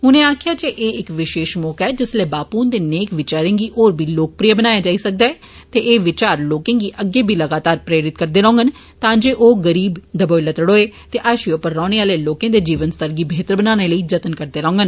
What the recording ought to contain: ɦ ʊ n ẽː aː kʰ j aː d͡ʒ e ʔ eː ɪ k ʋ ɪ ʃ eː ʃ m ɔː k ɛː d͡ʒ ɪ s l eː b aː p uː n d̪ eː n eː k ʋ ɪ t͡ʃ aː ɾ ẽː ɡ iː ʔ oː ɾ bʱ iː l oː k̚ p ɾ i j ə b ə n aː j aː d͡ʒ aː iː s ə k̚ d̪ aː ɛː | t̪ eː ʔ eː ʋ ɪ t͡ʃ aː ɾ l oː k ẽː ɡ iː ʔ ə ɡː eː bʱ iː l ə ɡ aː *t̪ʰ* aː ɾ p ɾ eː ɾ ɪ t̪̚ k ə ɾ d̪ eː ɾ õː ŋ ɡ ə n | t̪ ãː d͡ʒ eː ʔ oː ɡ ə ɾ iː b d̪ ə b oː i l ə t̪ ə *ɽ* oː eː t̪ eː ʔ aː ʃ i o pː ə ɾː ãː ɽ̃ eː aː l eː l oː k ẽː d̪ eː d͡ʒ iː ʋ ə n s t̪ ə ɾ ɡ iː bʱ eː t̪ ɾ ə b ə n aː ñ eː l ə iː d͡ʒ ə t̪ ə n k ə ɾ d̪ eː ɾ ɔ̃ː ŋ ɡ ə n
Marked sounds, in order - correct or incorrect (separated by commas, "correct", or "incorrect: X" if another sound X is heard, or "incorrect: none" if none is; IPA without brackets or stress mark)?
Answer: incorrect: t̪, correct